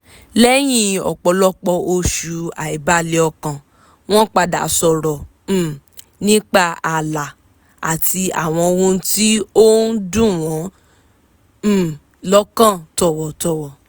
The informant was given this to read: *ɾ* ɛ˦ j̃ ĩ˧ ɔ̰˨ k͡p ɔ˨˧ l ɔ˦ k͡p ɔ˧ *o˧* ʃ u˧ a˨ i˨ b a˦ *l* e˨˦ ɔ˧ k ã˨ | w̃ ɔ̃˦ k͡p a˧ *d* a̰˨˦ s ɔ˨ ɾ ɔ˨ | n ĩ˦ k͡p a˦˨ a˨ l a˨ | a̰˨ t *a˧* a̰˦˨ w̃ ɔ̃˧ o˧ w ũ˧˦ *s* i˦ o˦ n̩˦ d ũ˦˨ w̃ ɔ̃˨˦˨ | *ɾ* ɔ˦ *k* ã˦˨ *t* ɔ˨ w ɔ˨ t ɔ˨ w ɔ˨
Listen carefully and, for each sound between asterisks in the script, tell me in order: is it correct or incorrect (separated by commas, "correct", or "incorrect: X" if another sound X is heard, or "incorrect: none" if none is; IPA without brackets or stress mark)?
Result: incorrect: l, correct, correct, correct, incorrect: i˧, incorrect: t, incorrect: l, correct, correct